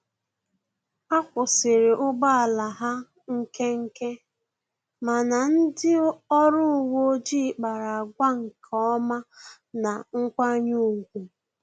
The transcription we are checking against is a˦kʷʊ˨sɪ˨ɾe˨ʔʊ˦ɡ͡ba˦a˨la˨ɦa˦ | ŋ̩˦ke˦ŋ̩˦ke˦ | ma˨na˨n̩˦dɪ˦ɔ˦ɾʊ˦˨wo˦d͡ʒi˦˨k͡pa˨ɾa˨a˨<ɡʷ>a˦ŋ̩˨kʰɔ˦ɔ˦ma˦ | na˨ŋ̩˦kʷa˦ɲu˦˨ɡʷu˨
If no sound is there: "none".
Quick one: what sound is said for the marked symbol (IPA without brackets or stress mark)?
ɡʷ